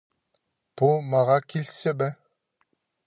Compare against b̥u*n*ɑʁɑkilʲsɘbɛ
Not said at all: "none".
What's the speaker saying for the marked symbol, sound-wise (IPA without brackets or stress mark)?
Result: m